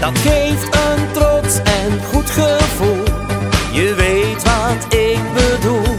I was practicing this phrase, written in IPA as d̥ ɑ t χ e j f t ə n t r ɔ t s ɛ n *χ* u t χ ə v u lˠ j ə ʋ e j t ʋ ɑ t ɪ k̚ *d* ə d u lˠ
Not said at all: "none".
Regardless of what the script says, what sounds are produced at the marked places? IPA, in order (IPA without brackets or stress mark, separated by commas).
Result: χ, b